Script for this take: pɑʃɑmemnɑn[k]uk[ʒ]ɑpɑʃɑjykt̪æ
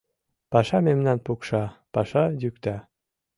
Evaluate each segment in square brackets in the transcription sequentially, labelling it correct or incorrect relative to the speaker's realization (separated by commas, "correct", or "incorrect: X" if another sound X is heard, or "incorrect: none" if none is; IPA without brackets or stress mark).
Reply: incorrect: p, incorrect: ʃ